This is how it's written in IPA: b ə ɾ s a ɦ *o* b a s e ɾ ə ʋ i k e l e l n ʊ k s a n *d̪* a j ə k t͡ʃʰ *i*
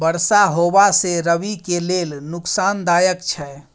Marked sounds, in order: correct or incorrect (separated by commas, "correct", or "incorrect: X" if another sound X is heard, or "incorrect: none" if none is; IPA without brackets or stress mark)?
correct, correct, incorrect: ɛ